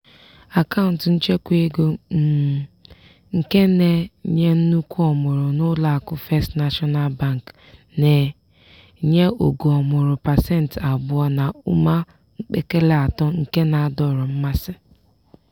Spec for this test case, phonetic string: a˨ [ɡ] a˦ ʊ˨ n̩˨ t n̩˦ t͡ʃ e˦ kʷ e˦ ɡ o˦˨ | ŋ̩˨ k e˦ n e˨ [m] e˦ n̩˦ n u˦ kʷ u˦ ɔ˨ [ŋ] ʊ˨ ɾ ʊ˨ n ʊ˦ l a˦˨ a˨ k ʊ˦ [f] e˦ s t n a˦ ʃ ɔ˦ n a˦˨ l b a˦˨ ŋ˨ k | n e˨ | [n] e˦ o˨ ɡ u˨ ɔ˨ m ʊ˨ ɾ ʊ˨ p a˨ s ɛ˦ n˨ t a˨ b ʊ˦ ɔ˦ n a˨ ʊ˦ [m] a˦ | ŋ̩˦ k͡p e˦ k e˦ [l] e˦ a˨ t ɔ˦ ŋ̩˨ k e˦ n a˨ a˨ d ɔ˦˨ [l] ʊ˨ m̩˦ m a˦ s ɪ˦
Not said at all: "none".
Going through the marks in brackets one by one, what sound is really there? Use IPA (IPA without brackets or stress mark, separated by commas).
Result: k, ɲ, m, f, ɲ, m, l, ɾ